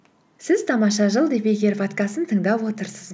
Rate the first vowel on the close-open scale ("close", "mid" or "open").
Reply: close